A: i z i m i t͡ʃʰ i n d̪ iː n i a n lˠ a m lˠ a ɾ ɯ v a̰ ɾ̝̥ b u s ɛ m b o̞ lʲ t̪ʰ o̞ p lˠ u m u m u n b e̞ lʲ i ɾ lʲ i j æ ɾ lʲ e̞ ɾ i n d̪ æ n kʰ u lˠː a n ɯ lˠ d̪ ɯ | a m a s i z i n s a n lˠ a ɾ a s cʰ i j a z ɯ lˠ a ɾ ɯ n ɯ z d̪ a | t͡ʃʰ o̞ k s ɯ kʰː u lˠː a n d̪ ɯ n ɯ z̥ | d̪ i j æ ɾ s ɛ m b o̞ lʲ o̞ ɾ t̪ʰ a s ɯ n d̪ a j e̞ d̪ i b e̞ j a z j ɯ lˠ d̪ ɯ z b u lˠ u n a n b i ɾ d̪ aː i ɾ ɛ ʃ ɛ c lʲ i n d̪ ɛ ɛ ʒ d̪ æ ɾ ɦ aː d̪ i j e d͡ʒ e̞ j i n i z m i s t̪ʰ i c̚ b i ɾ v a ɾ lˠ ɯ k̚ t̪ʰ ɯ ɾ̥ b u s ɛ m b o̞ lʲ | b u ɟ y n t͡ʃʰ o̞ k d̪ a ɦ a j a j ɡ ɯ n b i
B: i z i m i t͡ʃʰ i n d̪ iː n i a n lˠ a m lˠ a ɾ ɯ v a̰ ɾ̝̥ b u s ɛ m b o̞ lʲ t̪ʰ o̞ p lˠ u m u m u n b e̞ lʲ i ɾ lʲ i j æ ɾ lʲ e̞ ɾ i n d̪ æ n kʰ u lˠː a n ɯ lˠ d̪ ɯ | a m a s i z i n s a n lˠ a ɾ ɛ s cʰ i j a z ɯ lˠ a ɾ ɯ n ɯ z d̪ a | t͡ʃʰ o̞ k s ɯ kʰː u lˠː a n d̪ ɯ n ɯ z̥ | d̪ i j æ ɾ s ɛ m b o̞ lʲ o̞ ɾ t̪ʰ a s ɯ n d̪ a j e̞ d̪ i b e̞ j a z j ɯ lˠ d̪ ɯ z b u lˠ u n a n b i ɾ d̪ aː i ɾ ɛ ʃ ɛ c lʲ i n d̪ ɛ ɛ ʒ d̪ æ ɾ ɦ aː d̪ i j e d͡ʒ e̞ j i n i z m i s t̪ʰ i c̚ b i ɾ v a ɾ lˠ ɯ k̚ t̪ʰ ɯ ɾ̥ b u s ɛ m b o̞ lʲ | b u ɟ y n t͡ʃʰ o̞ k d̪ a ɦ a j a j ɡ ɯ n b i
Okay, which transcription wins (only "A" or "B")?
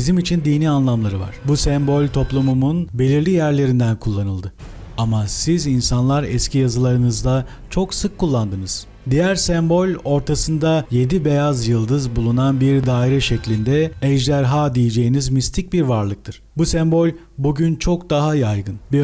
B